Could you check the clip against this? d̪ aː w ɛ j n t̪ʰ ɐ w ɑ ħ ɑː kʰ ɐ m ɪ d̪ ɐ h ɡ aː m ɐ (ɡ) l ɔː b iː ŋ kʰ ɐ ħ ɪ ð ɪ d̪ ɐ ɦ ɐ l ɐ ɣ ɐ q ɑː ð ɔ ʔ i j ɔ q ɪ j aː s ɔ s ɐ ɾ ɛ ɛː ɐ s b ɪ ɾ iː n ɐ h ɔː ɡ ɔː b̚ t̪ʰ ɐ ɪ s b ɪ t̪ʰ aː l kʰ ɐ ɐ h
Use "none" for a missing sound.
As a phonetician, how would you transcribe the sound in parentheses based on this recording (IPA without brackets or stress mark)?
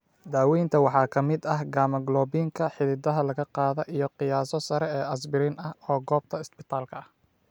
ɡ